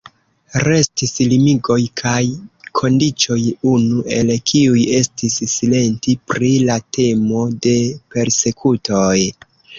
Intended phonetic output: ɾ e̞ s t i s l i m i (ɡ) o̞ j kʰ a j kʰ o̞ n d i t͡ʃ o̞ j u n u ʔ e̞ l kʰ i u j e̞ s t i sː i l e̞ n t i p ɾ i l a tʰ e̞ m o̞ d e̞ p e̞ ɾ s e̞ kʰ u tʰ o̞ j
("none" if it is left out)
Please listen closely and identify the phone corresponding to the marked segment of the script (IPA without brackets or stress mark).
ɡ